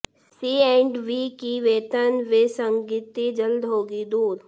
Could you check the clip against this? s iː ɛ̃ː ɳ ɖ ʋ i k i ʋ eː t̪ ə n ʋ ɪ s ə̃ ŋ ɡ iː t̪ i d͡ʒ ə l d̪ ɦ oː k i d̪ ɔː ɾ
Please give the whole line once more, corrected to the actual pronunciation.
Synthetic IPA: s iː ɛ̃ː ɳ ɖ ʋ i k i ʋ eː t̪ ə n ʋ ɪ s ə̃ ŋ ɡ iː t̪ i d͡ʒ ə l d̪ ɦ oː ɡ i d̪ uː ɾ